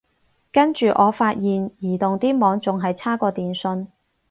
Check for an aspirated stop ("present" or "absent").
present